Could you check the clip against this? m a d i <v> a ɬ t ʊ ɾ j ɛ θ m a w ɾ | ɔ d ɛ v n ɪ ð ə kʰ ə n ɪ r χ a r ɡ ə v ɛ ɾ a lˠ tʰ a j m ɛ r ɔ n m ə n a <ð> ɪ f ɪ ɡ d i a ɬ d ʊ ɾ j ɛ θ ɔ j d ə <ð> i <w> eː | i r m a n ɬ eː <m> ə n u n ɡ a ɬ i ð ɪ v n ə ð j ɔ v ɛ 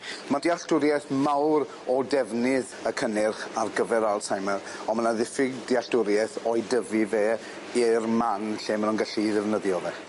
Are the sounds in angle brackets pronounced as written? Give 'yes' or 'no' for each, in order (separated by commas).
no, yes, no, no, yes